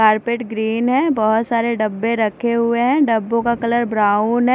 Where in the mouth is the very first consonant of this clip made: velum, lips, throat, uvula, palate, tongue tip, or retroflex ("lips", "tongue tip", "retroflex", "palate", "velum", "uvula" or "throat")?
tongue tip